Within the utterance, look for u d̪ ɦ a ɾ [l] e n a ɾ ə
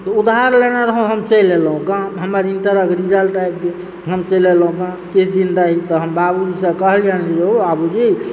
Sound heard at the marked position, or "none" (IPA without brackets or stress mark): l